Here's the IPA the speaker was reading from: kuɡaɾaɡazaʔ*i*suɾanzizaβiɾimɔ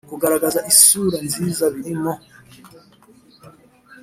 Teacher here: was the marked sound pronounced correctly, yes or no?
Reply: yes